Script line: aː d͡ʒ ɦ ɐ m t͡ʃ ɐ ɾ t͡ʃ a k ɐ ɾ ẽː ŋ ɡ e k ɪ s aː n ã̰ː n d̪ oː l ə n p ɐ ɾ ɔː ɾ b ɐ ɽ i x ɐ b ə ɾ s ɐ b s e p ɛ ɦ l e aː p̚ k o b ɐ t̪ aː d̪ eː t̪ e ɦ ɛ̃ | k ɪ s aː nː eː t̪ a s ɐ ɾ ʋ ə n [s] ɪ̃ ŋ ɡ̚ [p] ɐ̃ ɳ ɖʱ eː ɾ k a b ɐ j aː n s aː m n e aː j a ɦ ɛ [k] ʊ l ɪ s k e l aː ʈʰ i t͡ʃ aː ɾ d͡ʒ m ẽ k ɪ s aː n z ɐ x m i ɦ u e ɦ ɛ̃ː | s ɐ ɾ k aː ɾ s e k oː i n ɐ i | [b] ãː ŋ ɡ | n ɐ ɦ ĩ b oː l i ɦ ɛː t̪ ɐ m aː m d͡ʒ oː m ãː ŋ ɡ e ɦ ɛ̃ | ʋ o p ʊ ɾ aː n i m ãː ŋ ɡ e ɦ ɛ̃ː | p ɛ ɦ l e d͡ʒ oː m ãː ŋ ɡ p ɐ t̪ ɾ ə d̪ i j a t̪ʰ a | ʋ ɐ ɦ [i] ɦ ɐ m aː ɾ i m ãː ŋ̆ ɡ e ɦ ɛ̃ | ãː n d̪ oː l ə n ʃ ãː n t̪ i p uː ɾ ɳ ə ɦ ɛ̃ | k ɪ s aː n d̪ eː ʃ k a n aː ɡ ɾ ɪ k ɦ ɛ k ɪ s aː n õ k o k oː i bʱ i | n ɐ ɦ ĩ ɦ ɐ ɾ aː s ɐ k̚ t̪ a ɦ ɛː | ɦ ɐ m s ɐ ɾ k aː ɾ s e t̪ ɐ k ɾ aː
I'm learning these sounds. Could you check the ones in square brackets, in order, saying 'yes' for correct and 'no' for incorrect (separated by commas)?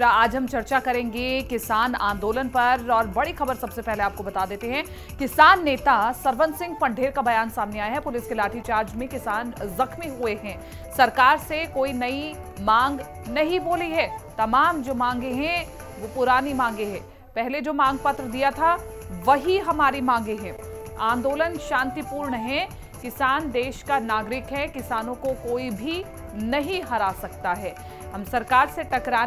yes, yes, no, no, yes